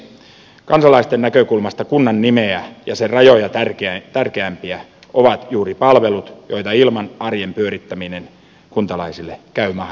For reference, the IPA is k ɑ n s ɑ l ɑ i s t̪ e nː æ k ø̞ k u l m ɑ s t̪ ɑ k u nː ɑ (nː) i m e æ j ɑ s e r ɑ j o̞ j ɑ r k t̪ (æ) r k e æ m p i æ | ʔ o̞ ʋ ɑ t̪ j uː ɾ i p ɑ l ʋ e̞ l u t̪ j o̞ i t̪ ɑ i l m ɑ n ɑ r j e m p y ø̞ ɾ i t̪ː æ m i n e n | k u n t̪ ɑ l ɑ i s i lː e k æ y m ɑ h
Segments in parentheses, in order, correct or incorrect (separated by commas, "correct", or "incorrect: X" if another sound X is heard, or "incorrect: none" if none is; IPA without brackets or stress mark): correct, correct